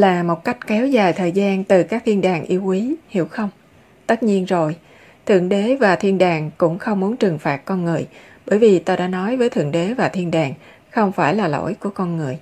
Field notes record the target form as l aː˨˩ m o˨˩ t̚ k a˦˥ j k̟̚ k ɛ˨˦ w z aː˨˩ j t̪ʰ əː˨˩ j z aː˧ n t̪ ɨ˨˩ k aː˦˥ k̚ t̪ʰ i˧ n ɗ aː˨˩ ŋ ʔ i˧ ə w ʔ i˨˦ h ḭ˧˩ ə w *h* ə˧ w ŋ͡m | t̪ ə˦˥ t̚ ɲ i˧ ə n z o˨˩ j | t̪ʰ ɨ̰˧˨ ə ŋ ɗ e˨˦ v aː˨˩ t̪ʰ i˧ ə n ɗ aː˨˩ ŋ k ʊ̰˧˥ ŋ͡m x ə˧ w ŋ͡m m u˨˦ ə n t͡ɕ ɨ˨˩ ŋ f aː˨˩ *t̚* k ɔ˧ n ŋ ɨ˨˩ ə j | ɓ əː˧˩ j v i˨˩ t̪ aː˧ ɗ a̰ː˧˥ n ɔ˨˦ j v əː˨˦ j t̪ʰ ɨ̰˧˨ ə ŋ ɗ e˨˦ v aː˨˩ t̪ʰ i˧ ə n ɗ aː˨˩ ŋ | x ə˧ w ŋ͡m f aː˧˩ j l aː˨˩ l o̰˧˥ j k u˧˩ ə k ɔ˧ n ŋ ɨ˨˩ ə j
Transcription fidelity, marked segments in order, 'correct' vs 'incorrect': incorrect: x, correct

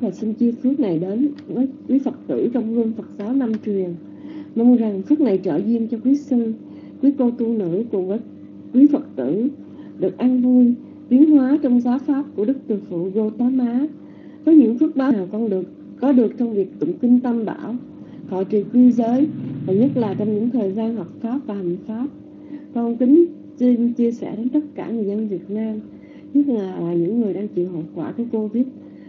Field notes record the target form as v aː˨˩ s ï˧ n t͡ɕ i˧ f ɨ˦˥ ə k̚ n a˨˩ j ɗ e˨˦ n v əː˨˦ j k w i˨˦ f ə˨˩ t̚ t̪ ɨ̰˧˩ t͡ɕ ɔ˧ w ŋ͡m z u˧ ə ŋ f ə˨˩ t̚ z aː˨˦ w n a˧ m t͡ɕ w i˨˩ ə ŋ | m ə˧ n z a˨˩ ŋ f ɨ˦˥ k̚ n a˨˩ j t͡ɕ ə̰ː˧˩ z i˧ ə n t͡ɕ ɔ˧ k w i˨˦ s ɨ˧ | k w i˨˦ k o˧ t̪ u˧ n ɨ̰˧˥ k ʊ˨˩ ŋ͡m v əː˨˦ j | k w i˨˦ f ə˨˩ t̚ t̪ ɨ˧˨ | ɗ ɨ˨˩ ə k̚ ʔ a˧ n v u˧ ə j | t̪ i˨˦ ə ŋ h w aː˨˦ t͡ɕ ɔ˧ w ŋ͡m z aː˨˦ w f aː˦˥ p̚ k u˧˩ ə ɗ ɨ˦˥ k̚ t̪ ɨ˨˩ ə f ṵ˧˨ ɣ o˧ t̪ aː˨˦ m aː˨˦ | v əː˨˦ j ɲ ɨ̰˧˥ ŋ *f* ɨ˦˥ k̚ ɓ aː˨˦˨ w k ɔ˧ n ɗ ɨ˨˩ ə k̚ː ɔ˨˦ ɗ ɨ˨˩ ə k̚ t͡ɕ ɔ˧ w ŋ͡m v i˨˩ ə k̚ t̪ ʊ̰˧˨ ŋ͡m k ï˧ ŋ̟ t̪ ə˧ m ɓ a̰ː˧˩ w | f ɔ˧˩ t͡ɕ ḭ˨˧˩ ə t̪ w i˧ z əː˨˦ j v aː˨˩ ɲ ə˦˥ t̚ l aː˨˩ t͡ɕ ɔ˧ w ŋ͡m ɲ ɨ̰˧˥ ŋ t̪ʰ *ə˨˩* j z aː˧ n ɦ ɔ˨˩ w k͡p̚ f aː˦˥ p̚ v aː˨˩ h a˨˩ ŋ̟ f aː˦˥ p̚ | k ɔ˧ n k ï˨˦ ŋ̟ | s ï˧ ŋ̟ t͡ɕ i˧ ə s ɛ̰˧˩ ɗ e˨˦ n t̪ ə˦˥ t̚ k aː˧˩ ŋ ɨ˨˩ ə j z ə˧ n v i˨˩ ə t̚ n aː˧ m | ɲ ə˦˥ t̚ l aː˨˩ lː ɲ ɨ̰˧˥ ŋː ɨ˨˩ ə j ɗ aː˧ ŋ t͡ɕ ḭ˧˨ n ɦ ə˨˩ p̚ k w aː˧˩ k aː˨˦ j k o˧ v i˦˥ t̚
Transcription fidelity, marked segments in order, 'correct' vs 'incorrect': correct, incorrect: əː˨˩

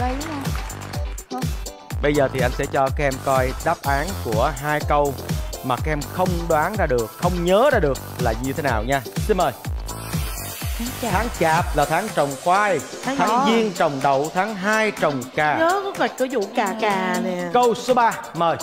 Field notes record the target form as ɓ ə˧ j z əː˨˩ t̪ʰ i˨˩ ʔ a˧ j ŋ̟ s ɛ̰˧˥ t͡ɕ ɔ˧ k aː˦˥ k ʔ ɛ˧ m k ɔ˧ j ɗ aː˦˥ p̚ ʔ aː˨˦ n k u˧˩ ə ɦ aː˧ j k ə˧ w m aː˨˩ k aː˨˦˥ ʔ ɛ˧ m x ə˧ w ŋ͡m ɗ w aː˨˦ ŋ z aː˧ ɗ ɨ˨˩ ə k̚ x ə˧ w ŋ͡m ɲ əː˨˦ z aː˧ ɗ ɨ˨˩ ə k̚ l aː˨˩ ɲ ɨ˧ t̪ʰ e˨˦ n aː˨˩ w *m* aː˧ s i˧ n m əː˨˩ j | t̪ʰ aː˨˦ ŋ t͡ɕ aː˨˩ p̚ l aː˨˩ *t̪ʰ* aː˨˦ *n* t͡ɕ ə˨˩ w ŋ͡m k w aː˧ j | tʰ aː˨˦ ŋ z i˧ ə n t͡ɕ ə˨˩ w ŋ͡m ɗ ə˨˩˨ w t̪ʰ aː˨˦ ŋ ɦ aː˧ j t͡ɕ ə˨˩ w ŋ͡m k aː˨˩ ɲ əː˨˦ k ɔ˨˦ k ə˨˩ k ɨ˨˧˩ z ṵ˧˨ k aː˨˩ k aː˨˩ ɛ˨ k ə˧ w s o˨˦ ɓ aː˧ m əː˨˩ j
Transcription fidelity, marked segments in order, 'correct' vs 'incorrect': incorrect: ɲ, correct, incorrect: ŋ

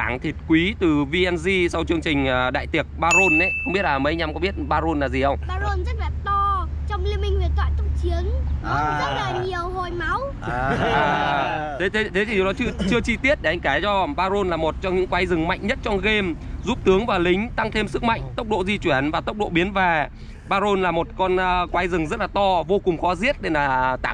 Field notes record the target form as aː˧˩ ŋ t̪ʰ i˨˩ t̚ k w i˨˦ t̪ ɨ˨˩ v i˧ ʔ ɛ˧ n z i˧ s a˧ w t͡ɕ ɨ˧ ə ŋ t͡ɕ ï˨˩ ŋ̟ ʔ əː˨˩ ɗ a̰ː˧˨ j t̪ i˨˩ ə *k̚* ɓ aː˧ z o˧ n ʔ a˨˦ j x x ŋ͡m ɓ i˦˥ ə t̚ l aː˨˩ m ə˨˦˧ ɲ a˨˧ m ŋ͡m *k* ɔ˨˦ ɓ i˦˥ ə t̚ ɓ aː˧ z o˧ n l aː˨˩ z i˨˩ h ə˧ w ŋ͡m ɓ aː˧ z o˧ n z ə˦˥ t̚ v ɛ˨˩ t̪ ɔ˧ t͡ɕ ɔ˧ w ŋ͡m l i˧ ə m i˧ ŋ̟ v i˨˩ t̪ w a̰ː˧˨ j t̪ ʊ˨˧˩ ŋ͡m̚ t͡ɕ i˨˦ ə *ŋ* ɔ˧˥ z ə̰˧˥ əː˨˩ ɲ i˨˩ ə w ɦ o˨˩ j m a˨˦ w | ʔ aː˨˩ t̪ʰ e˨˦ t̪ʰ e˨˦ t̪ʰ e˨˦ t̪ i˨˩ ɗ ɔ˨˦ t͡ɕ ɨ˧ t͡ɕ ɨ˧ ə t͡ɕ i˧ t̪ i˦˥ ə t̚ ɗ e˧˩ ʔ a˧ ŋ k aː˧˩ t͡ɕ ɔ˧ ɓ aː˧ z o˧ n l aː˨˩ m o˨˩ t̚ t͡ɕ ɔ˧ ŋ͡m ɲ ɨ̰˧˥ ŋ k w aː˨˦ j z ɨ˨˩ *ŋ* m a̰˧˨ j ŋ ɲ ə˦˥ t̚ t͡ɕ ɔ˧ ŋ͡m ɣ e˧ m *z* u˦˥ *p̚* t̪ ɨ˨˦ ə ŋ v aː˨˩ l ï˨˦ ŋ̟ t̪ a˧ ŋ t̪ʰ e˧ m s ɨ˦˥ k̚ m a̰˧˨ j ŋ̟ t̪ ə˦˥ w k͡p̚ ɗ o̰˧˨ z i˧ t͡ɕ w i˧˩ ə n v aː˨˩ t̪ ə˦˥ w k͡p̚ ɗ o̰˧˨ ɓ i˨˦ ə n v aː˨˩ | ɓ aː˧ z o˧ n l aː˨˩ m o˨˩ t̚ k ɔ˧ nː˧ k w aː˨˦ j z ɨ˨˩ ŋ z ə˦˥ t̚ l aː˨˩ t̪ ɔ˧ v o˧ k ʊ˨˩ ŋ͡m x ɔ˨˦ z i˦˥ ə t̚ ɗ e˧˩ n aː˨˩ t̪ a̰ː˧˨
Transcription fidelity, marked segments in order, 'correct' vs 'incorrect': correct, correct, correct, correct, correct, correct

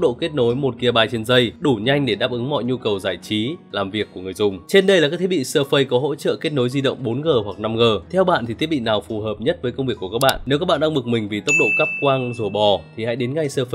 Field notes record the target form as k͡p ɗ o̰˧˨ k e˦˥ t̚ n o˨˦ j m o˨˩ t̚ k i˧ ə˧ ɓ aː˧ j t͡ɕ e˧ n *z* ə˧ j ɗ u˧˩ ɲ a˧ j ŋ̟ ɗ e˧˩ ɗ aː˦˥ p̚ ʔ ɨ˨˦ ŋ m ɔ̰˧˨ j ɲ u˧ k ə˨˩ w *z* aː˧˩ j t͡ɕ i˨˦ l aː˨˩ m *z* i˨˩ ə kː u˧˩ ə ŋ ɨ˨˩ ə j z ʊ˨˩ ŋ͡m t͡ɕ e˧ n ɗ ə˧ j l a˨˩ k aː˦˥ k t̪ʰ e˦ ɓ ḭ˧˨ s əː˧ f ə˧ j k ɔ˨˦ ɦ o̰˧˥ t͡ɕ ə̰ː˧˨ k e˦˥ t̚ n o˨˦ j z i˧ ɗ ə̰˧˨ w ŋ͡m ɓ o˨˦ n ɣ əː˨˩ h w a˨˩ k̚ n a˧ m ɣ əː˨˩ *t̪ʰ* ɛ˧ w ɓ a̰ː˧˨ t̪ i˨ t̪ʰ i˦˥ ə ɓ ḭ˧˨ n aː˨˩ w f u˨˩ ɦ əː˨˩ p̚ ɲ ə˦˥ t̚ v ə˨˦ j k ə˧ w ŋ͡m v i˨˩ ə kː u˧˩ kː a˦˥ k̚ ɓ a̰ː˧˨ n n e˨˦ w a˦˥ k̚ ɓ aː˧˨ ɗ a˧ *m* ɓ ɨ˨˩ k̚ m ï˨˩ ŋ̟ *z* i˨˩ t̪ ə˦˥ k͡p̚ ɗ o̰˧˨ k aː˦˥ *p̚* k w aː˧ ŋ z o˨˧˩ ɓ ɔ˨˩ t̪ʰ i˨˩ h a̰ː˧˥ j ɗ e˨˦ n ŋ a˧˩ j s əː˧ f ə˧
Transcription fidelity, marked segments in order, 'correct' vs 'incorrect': correct, correct, incorrect: v, correct, incorrect: ŋ, incorrect: v, correct

